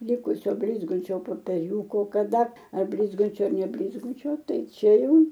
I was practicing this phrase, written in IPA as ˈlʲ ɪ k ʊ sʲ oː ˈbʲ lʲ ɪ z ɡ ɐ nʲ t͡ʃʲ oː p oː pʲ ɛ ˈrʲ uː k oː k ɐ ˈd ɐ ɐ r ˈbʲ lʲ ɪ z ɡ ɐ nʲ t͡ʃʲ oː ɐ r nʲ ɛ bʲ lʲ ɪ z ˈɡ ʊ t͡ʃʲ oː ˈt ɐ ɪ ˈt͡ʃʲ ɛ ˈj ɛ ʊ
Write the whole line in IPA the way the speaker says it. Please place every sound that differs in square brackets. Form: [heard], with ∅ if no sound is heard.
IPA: ˈlʲ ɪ k ʊ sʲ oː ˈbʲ lʲ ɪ z ɡ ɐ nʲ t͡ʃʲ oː p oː pʲ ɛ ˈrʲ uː k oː k ɐ ˈd ɐ ɐ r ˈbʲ lʲ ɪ z ɡ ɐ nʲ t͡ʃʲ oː ɐ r nʲ ɛ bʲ lʲ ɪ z ˈɡ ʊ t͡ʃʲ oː ˈt ɐ ɪ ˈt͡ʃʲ ɛ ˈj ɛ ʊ